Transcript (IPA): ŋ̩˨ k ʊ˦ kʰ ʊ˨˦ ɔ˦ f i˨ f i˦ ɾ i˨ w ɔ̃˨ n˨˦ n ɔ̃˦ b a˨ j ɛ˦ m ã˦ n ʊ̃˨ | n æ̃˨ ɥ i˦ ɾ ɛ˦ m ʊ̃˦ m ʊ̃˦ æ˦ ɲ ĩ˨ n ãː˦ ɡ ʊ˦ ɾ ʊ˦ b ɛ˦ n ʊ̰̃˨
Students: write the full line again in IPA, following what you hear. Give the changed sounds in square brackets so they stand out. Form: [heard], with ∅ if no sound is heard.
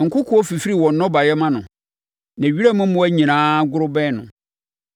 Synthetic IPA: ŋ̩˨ k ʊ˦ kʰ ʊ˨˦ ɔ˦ f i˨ f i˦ ɾ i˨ w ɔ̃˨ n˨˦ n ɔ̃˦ b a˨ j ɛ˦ m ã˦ n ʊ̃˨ | n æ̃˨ ɥ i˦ ɾ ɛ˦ m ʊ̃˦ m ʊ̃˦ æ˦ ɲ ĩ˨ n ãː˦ ɡ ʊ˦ ɾ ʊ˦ b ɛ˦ n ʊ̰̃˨